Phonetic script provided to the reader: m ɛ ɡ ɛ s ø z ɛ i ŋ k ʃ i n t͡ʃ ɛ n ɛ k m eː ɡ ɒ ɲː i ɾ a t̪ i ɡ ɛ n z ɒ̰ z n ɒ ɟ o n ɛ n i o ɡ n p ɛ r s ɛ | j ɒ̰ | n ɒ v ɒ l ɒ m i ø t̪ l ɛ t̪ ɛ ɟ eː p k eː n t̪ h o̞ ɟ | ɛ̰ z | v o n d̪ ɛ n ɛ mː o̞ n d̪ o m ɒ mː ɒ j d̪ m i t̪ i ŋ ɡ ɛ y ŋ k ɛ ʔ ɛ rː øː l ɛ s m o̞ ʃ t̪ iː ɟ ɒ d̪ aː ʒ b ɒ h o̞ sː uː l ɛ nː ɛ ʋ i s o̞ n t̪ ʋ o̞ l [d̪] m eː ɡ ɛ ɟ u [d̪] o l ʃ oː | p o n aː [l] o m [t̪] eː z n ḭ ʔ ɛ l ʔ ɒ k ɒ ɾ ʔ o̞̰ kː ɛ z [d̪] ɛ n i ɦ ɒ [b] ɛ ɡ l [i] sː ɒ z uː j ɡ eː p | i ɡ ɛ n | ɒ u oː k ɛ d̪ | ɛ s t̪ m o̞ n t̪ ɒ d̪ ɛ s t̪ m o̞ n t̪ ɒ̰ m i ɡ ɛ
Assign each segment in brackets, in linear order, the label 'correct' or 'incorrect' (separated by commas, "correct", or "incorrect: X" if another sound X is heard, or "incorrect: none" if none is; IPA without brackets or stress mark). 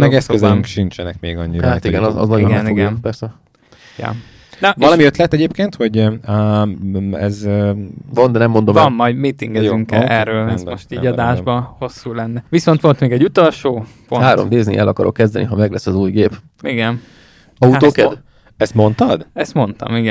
incorrect: t̪, incorrect: t̪, incorrect: ɾ, incorrect: d̪, correct, incorrect: m, incorrect: ɛ